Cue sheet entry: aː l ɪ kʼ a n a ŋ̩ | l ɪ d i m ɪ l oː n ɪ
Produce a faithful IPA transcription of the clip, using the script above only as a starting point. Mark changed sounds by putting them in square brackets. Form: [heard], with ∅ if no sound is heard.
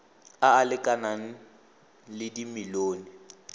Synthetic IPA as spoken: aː l ɪ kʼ a n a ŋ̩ | l ɪ d i m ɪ l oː n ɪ

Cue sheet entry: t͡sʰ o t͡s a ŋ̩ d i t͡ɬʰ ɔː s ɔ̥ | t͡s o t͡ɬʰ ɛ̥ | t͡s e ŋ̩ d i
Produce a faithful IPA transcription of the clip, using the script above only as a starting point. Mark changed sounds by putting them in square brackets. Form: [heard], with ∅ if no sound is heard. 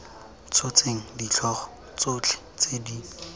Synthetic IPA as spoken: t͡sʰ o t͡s [e] ŋ̩ d i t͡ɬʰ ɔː [χ] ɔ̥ | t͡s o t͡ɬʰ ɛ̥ | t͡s e [∅] d i

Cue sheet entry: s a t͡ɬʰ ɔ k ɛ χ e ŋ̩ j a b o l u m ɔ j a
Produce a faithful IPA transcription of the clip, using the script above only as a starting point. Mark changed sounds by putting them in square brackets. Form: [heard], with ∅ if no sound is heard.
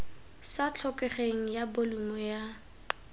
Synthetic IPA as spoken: s a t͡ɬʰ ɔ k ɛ χ e ŋ̩ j a b o l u m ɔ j a

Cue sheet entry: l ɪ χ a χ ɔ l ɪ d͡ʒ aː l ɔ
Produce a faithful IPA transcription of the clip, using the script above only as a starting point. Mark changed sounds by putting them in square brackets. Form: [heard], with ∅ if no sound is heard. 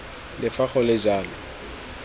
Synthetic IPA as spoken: l ɪ [f] a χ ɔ l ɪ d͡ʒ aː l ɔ

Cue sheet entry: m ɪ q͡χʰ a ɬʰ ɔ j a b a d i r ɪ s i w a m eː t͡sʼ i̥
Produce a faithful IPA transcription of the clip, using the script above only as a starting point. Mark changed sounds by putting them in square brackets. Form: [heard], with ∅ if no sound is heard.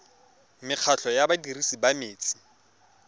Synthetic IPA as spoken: m ɪ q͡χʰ a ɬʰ ɔ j a b a d i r [i] s i [b] a m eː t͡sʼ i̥

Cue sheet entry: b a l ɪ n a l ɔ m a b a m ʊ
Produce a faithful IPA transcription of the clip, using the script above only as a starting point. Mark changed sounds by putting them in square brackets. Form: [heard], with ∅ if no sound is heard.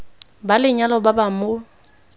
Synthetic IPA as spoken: b a l ɪ [ɲ] a l ɔ [b] a b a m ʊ

